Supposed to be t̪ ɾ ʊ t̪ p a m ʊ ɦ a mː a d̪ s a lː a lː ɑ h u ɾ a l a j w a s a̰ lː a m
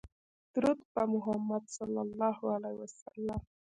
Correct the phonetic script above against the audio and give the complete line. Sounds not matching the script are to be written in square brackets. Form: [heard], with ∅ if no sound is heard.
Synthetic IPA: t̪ ɾ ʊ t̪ p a m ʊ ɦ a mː a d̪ s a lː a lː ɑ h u [∅] a l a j w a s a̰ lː a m

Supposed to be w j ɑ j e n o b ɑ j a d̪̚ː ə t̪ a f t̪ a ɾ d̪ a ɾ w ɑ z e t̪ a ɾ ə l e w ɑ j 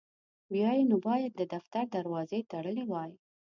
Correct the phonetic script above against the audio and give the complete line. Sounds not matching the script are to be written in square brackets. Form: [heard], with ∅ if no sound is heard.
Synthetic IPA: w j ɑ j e n o b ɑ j a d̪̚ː ə [d̪] a f t̪ a ɾ d̪ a ɾ w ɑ z e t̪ a [ɽ] ə l e w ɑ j

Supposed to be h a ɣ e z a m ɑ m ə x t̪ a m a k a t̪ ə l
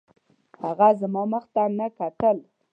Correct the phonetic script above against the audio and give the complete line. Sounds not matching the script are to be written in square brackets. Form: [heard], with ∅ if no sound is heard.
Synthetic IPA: h a ɣ [a] z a m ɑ m ə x t̪ a [n] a k a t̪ ə l

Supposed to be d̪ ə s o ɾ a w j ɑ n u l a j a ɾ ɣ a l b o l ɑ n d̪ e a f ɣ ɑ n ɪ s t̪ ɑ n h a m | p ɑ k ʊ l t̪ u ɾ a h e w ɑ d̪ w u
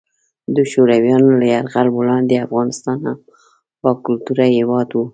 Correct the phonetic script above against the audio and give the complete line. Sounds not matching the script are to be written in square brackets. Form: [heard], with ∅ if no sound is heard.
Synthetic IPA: d̪ ə [ʃ] o ɾ a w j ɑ n [o] l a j a ɾ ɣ a l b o l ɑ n d̪ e a f ɣ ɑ n ɪ s t̪ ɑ n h a m | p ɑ k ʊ l t̪ u ɾ a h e w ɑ d̪ w u

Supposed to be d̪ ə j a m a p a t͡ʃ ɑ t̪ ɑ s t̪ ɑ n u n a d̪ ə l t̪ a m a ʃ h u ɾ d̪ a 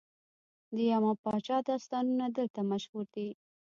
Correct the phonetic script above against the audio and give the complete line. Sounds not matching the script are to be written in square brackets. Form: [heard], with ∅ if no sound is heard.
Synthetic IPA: d̪ ə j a m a p [ɑ] t͡ʃ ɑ [d̪] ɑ s t̪ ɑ n u n a d̪ ə l t̪ a m a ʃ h u ɾ d̪ [i]

